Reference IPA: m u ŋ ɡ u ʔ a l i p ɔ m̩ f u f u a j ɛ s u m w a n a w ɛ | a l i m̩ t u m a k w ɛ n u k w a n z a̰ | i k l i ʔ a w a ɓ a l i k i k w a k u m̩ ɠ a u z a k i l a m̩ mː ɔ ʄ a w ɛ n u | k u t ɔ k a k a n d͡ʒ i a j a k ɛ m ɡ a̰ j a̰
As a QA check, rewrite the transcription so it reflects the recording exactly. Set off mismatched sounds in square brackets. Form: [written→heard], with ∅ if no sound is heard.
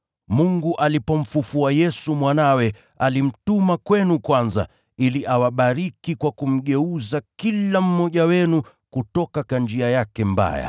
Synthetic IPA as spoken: m u ŋ ɡ u ʔ a l i p ɔ m̩ f u f u a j ɛ s u m w a n a w ɛ | a l i m̩ t u m a k w ɛ n u k w a n z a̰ | i [k→∅] l i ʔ a w a ɓ a [l→ɾ] i k i k w a k u m̩ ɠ [a→ɛ] u z a k i l a m̩ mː ɔ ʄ a w ɛ n u | k u t ɔ k a k a n d͡ʒ i a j a k ɛ m [ɡ→b] a̰ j a̰

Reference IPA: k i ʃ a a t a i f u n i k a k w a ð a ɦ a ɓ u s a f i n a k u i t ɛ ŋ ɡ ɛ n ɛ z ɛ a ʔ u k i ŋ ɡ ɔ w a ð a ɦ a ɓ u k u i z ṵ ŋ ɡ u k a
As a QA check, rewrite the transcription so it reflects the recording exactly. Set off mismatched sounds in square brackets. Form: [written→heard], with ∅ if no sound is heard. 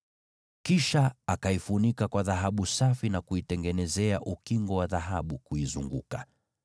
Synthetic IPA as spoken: k i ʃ a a [t→k] a i f u n i k a k w a ð a ɦ a ɓ u s a f i n a k u i t ɛ ŋ ɡ ɛ n ɛ z ɛ a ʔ u k i ŋ ɡ ɔ w a ð a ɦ a ɓ u k u i z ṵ ŋ ɡ u k a

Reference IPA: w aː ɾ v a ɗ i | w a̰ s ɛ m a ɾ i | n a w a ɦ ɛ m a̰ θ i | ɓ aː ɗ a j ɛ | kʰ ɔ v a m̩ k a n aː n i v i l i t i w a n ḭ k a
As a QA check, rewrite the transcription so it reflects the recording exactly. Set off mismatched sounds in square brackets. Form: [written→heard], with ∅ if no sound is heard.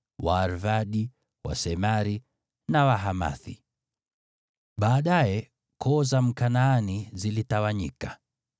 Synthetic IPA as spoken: w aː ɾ v a ɗ i | w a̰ s ɛ m a ɾ i | n a w a ɦ [ɛ→a] m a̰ θ i | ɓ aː ɗ a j ɛ | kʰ ɔ [v→z] a m̩ k a n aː n i [v→z] i l i t [i→a] w a [n→ɲ] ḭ k a

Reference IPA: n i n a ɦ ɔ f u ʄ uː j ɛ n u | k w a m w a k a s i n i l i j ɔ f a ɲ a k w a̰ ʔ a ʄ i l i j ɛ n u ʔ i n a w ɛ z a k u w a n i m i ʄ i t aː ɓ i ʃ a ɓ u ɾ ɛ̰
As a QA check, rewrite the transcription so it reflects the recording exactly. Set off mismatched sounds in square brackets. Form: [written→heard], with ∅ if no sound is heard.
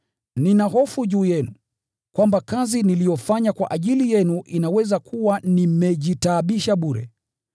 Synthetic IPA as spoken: n i n a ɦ ɔ f u ʄ uː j ɛ n u | k w a m [w→b] a k a [s→z] i n i l i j ɔ f a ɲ a k w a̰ ʔ a ʄ i l i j ɛ n u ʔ i n a w ɛ z a k u w a n i m [i→ɛ] ʄ i t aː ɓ i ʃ a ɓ u ɾ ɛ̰

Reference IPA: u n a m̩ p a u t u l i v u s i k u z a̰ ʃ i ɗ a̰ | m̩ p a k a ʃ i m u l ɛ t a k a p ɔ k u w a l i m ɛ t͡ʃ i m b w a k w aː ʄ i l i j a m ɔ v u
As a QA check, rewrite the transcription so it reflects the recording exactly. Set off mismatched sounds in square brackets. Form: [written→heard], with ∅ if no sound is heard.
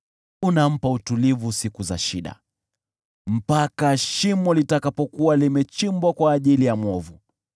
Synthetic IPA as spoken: u n a m̩ p a u t u l i v u s i k u z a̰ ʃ i ɗ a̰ | m̩ p a k a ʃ i m [u→ɔ] l [ɛ→i] t a k a p ɔ k u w a l i m ɛ t͡ʃ i m b w a k w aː ʄ i l i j a m ɔ v u

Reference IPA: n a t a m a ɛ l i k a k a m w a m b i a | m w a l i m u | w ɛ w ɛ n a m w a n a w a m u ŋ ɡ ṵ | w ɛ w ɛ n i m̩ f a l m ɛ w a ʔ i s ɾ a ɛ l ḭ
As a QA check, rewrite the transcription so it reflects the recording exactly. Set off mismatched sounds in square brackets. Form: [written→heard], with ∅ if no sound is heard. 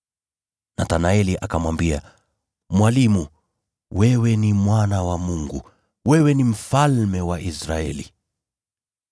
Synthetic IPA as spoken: n a t a [m→n] a ɛ l i [k→ʔ] a k a m w a m b i a | m w a l i m u | w ɛ w ɛ n [a→i] m w a n a w a m u ŋ ɡ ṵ | w ɛ w ɛ n i m̩ f a l m ɛ w a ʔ i s ɾ a ɛ l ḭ

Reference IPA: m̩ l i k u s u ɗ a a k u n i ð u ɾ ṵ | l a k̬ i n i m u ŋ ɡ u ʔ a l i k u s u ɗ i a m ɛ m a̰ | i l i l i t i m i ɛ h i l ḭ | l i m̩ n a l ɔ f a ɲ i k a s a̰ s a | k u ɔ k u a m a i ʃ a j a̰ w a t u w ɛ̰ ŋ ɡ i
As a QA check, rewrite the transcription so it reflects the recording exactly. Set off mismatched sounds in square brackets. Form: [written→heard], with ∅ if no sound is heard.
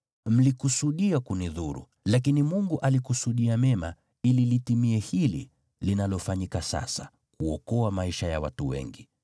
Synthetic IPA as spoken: m̩ l i k u s u ɗ [a→i] a k u n i ð u ɾ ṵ | l a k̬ i n i m u ŋ ɡ u ʔ a l i k u s u ɗ i a m ɛ m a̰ | i l i l i t i m i ɛ h i l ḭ | l i [m̩→∅] n a l ɔ f a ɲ i k a s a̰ s a | k u ɔ k [u→ɔ] a m a i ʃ a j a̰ w a t u w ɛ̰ ŋ ɡ i

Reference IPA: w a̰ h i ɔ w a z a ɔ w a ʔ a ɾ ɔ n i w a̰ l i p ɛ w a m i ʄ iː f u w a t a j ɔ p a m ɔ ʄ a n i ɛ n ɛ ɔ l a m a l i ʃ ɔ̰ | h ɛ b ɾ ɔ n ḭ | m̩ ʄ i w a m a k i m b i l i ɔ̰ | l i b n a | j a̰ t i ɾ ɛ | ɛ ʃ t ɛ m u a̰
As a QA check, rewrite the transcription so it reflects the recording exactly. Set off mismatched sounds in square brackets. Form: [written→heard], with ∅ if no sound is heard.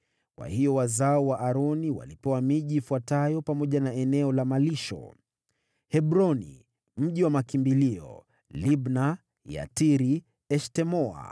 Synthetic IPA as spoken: w a̰ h i ɔ w a z a ɔ w a ʔ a ɾ ɔ n i w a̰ l i p ɛ w a m i ʄ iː f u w a t a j ɔ p a m ɔ ʄ a n [i→a] ɛ n ɛ ɔ l a m a l i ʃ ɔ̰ | h ɛ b ɾ ɔ n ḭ | m̩ ʄ i w a m a k i m b i l i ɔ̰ | l i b n a | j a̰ t i ɾ [ɛ→i] | ɛ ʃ t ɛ m [u→ɔ] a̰

